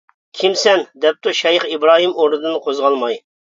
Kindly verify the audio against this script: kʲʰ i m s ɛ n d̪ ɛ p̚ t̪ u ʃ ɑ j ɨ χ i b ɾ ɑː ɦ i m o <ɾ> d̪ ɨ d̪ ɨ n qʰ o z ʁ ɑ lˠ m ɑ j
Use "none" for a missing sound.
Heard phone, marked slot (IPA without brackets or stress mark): ɾ